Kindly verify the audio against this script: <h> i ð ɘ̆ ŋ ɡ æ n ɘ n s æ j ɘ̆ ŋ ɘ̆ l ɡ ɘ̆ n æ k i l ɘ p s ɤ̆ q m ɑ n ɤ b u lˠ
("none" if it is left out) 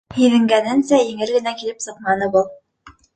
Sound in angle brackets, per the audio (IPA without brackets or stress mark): h